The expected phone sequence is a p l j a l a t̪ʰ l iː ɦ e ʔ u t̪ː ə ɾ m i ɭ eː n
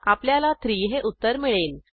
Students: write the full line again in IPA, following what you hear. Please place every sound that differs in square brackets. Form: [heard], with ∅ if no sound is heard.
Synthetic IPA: a p l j a l a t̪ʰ [ɾ] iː ɦ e ʔ u t̪ː ə ɾ m i ɭ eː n